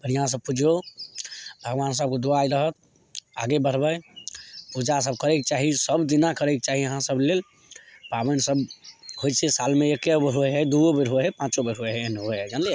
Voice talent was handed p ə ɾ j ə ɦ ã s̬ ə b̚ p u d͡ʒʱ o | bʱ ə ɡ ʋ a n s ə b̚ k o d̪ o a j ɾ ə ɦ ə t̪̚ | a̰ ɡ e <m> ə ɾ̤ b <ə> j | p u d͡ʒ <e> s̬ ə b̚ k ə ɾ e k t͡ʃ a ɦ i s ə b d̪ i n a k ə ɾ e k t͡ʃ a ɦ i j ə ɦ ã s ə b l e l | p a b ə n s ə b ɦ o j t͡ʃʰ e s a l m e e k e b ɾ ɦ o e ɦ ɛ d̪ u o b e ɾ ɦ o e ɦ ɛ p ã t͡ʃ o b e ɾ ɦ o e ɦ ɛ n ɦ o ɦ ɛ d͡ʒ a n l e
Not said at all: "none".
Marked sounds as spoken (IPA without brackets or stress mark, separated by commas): b, ə, a